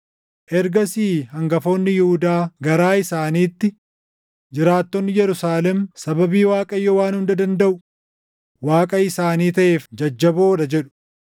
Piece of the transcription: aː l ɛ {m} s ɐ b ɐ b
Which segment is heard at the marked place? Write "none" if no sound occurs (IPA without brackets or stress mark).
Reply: m